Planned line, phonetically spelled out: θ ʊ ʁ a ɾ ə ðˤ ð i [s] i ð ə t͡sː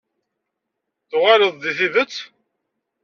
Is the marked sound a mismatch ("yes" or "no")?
yes